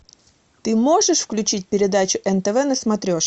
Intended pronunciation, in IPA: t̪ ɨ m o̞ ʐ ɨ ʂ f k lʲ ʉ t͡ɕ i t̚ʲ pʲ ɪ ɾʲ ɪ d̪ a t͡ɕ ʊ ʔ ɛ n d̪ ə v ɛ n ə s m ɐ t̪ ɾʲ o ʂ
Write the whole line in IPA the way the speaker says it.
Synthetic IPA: t̪ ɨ m o̞ ʐ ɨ ʂ f k lʲ ʉ t͡ɕ i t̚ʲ pʲ ɪ ɾʲ ɪ d̪ a t͡ɕ ʊ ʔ ɛ n t̪ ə v ɛ n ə s m ɐ t̪ ɾʲ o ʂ